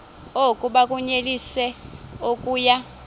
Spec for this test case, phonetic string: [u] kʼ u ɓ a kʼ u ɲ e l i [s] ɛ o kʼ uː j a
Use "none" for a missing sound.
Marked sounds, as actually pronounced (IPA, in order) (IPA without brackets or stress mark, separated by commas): o, s